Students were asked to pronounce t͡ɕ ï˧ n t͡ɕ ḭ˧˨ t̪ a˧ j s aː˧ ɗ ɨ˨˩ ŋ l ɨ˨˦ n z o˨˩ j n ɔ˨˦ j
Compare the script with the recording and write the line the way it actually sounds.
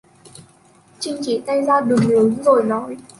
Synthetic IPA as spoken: t͡ɕ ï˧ ŋ t͡ɕ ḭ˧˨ t̪ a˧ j z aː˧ ɗ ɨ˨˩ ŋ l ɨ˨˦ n z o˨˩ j n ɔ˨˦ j